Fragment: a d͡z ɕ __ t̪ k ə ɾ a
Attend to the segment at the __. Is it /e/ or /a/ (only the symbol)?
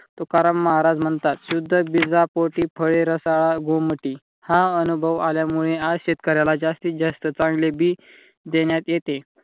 e